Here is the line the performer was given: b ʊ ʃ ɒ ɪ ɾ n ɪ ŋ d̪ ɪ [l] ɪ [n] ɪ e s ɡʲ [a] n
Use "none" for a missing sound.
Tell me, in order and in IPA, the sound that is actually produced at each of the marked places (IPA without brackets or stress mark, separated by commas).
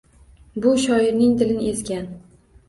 l, n, a